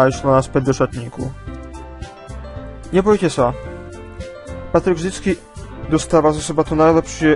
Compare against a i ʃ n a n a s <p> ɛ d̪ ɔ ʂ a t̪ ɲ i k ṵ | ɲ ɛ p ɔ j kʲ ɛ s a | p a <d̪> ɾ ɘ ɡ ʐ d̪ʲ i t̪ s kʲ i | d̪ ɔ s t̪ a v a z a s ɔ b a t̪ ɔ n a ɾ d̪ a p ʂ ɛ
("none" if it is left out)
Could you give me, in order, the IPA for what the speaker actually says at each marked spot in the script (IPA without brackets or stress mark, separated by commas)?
p, t̪